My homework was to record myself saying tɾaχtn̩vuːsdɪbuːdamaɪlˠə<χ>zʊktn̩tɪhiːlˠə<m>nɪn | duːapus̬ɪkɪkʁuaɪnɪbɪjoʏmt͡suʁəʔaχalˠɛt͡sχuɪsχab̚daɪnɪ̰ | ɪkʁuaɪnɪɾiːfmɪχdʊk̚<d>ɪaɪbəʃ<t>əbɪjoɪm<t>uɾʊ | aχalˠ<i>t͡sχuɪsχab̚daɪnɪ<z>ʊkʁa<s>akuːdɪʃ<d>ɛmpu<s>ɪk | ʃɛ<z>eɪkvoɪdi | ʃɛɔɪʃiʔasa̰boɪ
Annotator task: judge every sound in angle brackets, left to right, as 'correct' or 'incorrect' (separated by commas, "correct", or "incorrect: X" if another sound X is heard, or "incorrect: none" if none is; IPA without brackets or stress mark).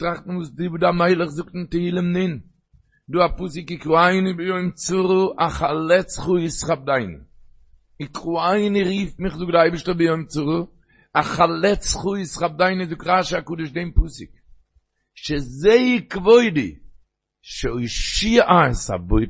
correct, correct, correct, correct, incorrect: t͡s, incorrect: ɛ, correct, incorrect: ʃ, correct, correct, correct